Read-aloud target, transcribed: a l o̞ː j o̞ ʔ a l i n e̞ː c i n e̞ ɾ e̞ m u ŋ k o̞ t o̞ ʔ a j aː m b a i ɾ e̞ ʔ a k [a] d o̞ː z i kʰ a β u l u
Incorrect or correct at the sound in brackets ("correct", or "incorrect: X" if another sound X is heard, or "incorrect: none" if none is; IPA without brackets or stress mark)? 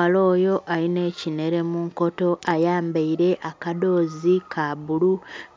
correct